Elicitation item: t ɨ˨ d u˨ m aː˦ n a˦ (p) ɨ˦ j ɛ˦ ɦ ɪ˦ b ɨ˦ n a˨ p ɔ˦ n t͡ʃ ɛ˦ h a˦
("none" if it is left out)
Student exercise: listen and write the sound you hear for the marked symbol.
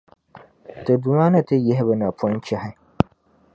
t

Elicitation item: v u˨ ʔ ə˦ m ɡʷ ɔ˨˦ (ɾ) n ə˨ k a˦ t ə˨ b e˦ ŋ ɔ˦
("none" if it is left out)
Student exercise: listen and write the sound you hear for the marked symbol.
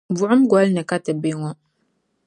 l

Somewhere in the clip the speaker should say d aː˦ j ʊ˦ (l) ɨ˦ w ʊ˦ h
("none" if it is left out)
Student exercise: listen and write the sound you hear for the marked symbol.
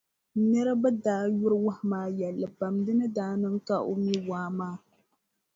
ɾ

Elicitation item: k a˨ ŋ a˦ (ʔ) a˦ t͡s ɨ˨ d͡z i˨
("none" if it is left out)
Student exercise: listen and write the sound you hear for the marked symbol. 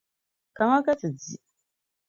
k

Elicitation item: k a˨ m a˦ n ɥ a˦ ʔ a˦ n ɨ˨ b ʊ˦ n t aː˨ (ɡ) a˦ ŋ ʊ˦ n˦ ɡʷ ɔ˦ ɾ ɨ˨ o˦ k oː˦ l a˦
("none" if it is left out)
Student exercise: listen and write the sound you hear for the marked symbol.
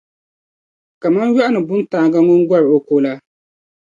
ɡ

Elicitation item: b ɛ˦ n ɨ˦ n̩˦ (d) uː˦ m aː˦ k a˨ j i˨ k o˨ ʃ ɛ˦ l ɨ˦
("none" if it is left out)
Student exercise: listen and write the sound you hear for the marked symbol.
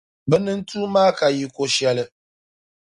t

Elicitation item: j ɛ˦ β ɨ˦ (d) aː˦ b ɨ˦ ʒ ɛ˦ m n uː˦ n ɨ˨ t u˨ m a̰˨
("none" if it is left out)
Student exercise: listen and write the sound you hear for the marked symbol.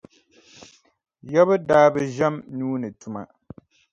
d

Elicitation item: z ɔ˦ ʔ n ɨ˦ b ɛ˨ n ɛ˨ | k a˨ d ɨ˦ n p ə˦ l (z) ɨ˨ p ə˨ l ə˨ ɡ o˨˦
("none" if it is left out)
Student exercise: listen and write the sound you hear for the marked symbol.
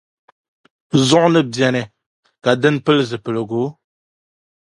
z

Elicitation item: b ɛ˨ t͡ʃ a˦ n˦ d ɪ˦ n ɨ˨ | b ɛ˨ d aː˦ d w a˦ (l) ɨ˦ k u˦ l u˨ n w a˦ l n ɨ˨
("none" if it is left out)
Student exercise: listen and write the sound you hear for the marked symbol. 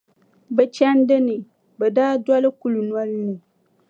l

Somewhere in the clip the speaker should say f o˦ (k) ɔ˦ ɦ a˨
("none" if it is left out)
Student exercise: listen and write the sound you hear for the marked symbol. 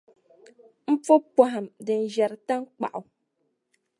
p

